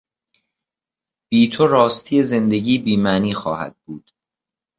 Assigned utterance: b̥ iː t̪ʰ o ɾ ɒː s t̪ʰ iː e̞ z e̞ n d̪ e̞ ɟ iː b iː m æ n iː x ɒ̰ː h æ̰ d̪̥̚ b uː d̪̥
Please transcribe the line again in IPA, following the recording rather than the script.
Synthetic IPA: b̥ iː t̪ʰ o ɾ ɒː s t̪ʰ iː e̞ z e̞ n d̪ e̞ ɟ iː b iː m æ n iː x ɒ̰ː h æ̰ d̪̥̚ b uː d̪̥